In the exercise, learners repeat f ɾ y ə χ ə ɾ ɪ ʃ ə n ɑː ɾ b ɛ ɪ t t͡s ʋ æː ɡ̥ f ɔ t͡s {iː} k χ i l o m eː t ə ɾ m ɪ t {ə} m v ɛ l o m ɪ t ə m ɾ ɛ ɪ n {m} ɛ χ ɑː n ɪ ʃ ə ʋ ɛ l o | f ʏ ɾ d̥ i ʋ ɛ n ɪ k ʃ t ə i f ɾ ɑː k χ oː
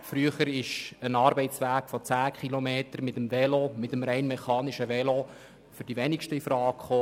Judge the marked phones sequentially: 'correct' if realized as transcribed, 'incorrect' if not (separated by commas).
incorrect, correct, correct